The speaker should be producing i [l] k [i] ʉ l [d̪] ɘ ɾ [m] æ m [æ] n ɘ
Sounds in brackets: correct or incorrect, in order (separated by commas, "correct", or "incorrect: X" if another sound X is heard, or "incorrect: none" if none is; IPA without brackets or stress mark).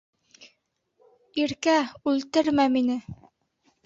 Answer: incorrect: ɾ, incorrect: æ, incorrect: t̪, correct, incorrect: i